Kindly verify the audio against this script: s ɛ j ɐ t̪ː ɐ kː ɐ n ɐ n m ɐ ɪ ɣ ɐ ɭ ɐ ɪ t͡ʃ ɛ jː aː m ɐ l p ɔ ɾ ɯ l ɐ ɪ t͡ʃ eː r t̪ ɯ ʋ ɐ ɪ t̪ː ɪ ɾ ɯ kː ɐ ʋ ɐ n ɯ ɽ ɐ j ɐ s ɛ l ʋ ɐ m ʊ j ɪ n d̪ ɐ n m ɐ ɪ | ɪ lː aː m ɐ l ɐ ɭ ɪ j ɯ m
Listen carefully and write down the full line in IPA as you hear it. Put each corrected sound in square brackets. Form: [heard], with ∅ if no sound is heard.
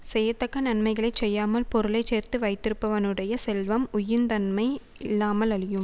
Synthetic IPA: s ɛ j ɐ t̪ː ɐ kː ɐ n ɐ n m ɐ ɪ ɣ ɐ ɭ ɐ ɪ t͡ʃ ɛ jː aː m ɐ l p ɔ ɾ ɯ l ɐ ɪ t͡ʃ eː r t̪ ɯ ʋ ɐ ɪ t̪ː ɪ ɾ ɯ [pː] ɐ ʋ ɐ n ɯ ɽ ɐ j ɐ s ɛ l ʋ ɐ m ʊ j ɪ n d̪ ɐ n m ɐ ɪ | ɪ lː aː m ɐ l ɐ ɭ ɪ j ɯ m

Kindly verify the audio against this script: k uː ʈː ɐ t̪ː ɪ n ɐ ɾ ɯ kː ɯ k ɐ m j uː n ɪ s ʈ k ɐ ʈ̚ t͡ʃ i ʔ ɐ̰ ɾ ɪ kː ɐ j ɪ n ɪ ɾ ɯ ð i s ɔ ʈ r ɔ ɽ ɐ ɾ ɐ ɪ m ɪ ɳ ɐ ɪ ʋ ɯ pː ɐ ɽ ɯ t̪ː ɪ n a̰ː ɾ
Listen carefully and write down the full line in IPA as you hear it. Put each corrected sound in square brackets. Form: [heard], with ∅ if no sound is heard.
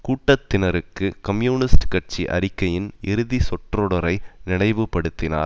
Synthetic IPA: k uː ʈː ɐ t̪ː ɪ n ɐ ɾ ɯ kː ɯ k ɐ m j uː n ɪ s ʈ k ɐ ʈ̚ t͡ʃ i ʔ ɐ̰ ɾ ɪ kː ɐ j ɪ n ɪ ɾ ɯ ð i s ɔ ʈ r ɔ ɽ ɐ ɾ ɐ ɪ [n] ɪ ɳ ɐ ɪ ʋ ɯ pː ɐ ɽ ɯ t̪ː ɪ n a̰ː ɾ

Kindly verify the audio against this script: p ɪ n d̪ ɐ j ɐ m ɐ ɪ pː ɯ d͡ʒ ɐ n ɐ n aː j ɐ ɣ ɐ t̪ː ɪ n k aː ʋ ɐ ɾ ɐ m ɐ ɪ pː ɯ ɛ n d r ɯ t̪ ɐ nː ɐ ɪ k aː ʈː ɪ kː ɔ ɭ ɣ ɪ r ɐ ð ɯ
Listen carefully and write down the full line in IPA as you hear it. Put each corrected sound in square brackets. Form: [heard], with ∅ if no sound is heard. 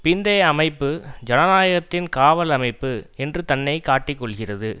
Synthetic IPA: p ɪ n d̪ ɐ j ɐ m ɐ ɪ pː ɯ d͡ʒ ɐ n ɐ n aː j ɐ ɣ ɐ t̪ː ɪ n k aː ʋ ɐ [l] ɐ m ɐ ɪ pː ɯ ɛ n d r ɯ t̪ ɐ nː ɐ ɪ k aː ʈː ɪ kː ɔ ɭ ɣ ɪ r ɐ ð ɯ

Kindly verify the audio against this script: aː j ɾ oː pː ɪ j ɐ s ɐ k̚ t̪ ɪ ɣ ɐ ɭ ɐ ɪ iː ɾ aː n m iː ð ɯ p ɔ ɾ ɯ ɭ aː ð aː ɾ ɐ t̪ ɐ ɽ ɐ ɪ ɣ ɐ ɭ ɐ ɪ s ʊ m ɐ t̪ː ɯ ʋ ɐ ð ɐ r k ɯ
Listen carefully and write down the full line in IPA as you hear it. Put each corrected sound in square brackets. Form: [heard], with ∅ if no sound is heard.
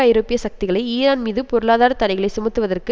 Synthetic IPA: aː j ɾ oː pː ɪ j ɐ s ɐ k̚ t̪ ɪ ɣ ɐ ɭ ɐ ɪ iː ɾ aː n m iː ð ɯ p ɔ ɾ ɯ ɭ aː ð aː ɾ ɐ t̪ ɐ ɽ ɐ ɪ ɣ ɐ ɭ ɐ ɪ s ʊ m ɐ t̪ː ɯ ʋ ɐ ð ɐ r k ɯ

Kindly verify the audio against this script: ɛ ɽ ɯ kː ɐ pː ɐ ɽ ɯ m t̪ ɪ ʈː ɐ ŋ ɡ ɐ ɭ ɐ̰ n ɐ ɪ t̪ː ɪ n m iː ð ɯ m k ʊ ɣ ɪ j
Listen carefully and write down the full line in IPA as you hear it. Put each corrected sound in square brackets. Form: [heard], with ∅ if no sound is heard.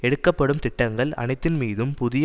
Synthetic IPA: ɛ ɽ ɯ kː ɐ pː ɐ ɽ ɯ m t̪ ɪ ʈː ɐ ŋ ɡ ɐ ɭ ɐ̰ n ɐ ɪ t̪ː ɪ n m iː ð ɯ m [p] ʊ [ð] ɪ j

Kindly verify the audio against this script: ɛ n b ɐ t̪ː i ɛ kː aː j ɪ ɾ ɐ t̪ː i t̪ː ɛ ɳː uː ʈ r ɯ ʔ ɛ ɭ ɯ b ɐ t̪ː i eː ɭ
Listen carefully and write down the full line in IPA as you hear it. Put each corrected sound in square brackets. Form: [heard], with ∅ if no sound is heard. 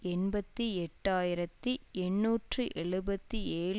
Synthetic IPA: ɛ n b ɐ t̪ː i ɛ [ʈː] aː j ɪ ɾ ɐ t̪ː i [∅] ɛ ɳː uː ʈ r ɯ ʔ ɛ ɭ ɯ b ɐ t̪ː i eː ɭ

